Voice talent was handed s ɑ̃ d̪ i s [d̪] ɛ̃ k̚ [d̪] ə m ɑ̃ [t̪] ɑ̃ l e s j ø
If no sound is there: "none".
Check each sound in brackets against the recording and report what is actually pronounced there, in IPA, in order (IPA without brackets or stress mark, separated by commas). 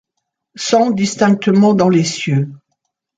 t̪, t̪, d̪